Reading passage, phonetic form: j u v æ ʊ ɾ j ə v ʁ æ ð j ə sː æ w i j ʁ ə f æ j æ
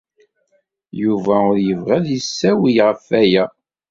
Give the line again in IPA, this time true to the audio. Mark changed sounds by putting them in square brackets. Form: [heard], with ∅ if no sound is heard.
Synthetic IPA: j u v æ ʊ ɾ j ə v ʁ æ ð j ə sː æ w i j ʁ ə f æ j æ